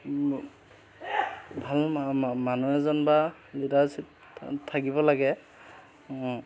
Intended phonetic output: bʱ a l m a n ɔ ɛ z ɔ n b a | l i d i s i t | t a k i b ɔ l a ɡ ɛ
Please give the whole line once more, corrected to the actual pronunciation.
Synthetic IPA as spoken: bʱ a l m a n u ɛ z ɔ n b a | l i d a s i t | tʰ a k i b ɔ l a ɡ ɛ